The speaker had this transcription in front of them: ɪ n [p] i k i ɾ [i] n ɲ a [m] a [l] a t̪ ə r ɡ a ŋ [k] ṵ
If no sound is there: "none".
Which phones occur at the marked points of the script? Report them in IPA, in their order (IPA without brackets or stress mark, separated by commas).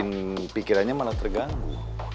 p, a, m, l, ɡ